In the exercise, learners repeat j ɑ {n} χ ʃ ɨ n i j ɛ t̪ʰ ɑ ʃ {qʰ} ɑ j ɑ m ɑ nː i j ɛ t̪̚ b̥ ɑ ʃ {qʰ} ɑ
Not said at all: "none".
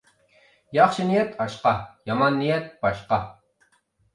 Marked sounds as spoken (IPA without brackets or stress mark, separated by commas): none, q, q